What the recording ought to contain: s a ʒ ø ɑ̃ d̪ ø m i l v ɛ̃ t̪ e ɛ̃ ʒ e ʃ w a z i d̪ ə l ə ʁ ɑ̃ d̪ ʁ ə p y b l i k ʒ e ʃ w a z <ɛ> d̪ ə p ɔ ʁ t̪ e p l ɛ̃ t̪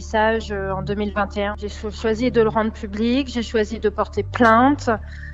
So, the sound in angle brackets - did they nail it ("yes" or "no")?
no